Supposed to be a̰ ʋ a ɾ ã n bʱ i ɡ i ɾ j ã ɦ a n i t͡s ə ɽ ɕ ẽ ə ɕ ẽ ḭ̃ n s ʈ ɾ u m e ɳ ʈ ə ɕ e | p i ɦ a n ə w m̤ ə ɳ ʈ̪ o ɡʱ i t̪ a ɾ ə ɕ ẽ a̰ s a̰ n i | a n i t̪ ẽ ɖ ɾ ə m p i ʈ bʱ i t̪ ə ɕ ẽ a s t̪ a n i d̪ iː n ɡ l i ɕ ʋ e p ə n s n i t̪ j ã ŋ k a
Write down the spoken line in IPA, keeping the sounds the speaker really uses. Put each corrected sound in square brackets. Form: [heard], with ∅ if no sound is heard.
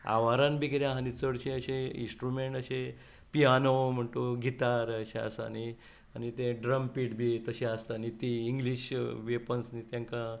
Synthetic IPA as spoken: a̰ ʋ a ɾ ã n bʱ i ɡ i ɾ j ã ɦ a n i t͡s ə ɽ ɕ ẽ ə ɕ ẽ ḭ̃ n s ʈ ɾ u m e ɳ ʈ ə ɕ e | p i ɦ a n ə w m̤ ə ɳ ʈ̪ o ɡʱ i t̪ a ɾ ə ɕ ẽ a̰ s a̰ n i | a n i t̪ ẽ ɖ ɾ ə m p i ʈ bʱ i t̪ ə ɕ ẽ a s t̪ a n i [t̪] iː [ŋ] ɡ l i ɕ ʋ e p ə n s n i t̪ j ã ŋ k a

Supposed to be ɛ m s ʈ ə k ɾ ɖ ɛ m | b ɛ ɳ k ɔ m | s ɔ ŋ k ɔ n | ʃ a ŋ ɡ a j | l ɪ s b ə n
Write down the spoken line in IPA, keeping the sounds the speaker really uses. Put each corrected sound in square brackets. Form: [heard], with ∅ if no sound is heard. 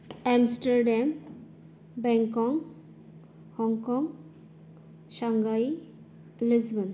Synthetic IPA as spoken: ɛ m s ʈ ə [∅] ɾ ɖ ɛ m | b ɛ [ŋ] k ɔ [ŋ] | [h] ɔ ŋ k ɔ [ŋ] | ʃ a ŋ ɡ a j | l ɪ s b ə n

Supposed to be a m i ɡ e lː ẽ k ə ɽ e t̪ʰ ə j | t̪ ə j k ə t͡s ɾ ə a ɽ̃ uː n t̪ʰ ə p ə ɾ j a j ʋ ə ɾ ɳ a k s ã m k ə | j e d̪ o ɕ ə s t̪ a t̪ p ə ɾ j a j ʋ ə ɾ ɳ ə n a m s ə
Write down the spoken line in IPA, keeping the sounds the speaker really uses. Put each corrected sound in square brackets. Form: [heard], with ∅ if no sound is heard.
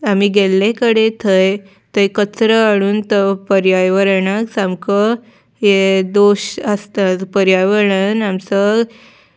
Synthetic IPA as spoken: a m i ɡ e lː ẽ k ə ɽ e t̪ʰ ə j | t̪ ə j k ə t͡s ɾ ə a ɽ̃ uː n [t̪] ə p ə ɾ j a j ʋ ə ɾ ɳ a k s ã m k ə | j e d̪ o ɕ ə s t̪ a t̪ p ə ɾ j a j ʋ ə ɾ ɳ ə n a m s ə

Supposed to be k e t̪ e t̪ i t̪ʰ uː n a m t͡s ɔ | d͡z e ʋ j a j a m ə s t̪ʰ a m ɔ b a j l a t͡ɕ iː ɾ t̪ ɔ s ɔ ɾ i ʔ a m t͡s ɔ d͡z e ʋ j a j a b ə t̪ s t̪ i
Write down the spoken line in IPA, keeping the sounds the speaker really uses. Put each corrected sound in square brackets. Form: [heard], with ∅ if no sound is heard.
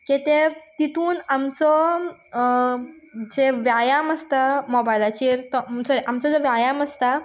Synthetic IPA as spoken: k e t̪ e t̪ i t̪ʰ uː n a m t͡s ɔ | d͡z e ʋ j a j a m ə s [t̪] a m ɔ b a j l a t͡ɕ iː ɾ t̪ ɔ s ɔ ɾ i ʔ a m t͡s ɔ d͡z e ʋ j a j a [m] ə [∅] s t̪ [a]

